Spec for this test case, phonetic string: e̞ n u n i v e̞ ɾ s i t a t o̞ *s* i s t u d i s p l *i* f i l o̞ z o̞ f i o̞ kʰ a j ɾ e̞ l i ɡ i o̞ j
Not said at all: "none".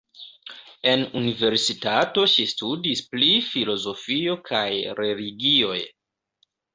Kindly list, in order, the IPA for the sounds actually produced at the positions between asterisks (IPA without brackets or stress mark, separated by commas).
ʃ, i